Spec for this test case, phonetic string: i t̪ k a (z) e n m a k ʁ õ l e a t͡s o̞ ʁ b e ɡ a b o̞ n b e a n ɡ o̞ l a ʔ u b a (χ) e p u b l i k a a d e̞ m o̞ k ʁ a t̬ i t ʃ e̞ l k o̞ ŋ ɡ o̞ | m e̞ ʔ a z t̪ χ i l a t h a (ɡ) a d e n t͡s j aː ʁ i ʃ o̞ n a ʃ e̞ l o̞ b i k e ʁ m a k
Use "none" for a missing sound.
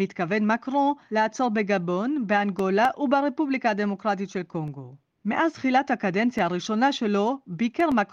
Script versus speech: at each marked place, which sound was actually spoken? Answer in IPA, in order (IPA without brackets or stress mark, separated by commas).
v, ʁ, k